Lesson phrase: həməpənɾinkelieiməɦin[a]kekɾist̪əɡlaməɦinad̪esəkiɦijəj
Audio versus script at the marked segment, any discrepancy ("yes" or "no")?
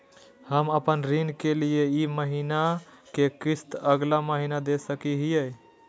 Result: no